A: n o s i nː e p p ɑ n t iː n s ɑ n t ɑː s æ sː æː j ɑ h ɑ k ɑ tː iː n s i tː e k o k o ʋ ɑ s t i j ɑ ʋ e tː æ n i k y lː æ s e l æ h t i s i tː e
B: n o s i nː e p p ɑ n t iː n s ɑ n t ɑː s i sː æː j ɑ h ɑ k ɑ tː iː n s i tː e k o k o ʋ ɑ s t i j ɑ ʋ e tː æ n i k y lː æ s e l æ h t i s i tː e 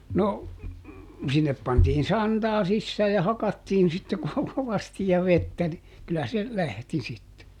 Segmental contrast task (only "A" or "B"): B